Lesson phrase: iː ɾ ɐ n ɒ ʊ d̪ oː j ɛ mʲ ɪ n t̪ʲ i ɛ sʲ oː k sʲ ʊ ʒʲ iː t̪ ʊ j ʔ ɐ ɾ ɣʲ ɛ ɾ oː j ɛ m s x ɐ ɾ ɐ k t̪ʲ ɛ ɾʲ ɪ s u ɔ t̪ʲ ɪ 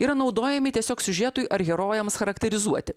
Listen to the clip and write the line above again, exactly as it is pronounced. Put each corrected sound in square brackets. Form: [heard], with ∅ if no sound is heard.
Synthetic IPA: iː ɾ ɐ n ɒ ʊ d̪ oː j ɛ mʲ ɪ [∅] t̪ʲ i ɛ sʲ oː k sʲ ʊ ʒʲ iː t̪ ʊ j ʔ ɐ ɾ ɣʲ ɛ ɾ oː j ɛ m s x ɐ ɾ ɐ k t̪ʲ ɛ ɾʲ ɪ [z] u ɔ t̪ʲ ɪ